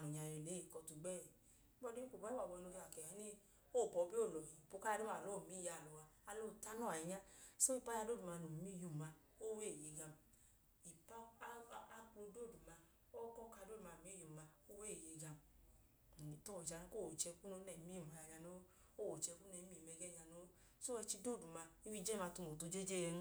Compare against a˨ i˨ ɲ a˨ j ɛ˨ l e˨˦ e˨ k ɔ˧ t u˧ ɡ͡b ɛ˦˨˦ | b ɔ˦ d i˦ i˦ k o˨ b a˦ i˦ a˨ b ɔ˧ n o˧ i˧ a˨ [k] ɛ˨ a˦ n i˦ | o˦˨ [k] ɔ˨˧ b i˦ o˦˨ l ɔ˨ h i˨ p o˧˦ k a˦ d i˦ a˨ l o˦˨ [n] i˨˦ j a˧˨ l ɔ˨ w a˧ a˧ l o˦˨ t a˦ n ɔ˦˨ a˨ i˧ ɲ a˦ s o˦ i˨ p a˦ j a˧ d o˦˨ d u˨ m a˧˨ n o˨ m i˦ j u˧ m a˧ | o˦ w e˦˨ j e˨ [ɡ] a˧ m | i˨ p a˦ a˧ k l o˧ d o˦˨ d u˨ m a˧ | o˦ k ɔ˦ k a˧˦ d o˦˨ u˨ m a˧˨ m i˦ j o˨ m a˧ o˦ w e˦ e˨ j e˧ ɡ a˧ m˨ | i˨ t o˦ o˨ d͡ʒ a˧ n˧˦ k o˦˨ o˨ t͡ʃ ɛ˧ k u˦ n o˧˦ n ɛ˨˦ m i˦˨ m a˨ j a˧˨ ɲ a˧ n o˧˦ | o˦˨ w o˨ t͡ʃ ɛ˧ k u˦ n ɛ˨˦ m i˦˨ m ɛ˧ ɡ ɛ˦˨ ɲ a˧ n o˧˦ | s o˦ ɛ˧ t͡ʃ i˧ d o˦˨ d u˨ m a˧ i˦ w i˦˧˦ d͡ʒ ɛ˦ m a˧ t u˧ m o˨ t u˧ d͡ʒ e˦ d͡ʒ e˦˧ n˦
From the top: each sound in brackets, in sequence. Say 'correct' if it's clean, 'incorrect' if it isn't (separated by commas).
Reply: correct, incorrect, incorrect, correct